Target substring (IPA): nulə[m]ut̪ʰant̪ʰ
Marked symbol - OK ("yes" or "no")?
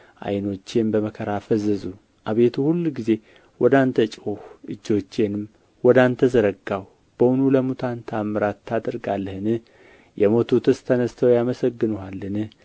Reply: yes